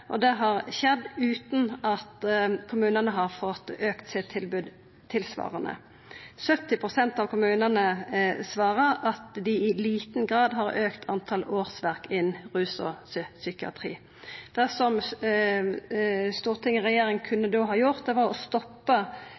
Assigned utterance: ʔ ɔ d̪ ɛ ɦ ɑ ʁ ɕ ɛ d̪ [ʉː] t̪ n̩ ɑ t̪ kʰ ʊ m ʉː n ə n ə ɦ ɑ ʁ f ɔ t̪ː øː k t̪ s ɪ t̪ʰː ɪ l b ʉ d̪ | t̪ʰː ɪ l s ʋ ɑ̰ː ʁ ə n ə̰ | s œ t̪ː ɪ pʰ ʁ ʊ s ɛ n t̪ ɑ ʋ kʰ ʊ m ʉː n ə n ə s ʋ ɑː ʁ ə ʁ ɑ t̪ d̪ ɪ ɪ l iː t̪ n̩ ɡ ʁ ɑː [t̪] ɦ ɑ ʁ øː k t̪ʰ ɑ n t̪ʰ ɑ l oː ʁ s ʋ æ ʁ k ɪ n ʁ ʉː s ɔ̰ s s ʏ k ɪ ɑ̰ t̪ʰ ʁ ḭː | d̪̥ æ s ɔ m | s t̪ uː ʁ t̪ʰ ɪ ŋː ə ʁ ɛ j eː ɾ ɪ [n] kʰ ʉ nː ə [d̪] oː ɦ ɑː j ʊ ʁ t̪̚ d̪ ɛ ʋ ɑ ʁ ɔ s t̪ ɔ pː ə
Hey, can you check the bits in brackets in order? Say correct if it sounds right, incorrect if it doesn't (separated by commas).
correct, incorrect, incorrect, correct